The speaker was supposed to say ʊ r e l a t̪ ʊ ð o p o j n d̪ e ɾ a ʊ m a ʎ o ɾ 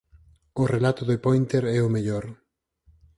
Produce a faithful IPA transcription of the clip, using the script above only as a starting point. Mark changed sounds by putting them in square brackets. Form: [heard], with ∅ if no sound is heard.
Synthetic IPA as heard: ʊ r e l a t̪ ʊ ð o p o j n [t̪] e ɾ [ɛ] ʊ m [e] ʎ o ɾ

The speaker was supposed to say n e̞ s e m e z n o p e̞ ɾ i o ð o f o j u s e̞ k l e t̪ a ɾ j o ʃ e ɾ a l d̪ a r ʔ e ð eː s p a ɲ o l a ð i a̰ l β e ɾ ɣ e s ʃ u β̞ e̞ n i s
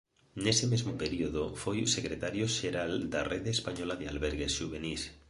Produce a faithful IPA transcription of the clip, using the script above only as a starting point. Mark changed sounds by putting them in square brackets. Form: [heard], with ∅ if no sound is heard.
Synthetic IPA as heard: n e̞ s e m e z [m] o p e̞ ɾ i o ð o f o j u s e̞ k [ɾ] e t̪ a ɾ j o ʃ e ɾ a l d̪ a r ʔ e ð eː s p a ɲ o l a ð [e] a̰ l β e ɾ ɣ e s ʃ u β̞ e̞ n i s

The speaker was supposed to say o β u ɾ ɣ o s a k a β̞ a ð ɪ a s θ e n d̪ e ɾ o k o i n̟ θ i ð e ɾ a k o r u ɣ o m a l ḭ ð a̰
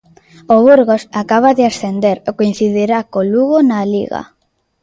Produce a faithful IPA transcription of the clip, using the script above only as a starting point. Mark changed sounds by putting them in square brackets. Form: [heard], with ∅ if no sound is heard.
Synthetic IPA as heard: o β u ɾ ɣ o s a k a β̞ a ð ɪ a s θ e n d̪ e ɾ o k o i n̟ θ i ð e ɾ a k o [l] u ɣ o [n] a l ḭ [ɣ] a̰

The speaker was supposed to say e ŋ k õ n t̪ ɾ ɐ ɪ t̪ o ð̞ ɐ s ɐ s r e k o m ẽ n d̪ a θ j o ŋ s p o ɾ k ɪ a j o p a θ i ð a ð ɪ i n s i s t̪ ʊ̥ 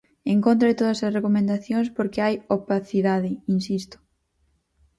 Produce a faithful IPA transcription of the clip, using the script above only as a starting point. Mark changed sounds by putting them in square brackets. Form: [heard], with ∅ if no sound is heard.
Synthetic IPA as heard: e ŋ k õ n t̪ ɾ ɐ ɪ t̪ o ð̞ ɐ s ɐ s r e k o m ẽ n d̪ a θ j o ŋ s p o ɾ k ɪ a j o p a θ i ð a ð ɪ i n s i s t̪ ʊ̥

